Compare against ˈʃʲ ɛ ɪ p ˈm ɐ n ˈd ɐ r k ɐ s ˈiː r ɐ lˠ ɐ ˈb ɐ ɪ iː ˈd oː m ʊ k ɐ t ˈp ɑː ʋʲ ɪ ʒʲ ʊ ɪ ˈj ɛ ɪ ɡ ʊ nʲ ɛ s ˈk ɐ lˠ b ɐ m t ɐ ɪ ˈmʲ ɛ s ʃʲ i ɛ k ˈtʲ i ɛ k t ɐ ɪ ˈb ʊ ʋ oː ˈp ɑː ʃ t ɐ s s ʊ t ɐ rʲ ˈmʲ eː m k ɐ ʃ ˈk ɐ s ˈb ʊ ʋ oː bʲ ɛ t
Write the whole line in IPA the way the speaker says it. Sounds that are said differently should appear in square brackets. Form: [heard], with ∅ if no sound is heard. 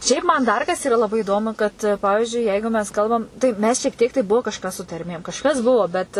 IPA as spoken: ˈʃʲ ɛ ɪ p ˈm ɐ n ˈd ɐ r k ɐ s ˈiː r ɐ lˠ ɐ ˈb ɐ ɪ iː ˈd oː m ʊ k ɐ t ˈp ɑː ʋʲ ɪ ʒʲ ʊ ɪ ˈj ɛ ɪ ɡ ʊ [mʲ] ɛ s ˈk ɐ lˠ b ɐ m t ɐ ɪ ˈmʲ ɛ s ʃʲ i ɛ k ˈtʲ i ɛ k t ɐ ɪ ˈb ʊ ʋ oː [ˈk] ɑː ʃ [k] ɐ s s ʊ t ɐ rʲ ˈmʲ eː m k ɐ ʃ ˈk ɐ s ˈb ʊ ʋ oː bʲ ɛ t